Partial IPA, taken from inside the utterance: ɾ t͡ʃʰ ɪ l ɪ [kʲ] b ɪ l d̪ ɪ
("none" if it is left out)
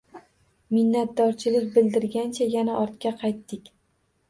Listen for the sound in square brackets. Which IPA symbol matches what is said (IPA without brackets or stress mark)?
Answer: kʲ